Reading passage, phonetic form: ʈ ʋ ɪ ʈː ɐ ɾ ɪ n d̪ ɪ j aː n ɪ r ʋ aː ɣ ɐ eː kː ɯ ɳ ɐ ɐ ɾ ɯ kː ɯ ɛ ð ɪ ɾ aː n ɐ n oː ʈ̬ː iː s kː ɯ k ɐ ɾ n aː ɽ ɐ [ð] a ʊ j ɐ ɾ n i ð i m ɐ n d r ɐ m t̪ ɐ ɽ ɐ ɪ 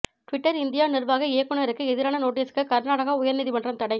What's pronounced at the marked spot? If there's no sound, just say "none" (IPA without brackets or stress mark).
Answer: ɣ